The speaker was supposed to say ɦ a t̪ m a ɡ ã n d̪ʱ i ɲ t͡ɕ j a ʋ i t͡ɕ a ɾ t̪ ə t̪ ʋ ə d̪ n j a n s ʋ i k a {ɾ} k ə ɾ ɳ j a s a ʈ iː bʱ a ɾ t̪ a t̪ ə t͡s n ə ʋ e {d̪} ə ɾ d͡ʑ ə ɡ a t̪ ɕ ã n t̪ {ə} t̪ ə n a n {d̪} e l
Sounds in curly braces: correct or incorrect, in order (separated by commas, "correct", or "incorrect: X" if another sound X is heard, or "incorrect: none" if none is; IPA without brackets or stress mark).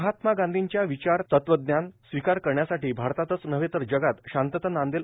correct, incorrect: t̪, correct, correct